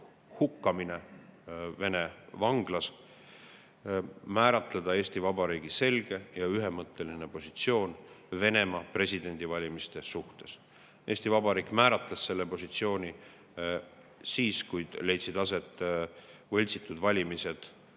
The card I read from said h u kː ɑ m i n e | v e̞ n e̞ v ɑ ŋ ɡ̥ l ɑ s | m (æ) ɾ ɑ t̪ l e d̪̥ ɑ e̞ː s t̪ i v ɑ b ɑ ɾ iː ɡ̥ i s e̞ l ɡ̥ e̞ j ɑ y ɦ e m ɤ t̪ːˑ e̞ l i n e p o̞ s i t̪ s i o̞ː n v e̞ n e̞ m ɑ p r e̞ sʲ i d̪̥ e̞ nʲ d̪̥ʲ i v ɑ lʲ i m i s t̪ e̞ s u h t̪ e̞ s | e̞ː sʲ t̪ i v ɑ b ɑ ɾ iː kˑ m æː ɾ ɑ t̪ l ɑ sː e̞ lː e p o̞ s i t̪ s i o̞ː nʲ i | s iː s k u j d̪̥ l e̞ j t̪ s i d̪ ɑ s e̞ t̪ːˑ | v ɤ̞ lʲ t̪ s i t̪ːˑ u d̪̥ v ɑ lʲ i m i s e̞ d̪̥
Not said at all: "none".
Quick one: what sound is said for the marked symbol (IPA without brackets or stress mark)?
æː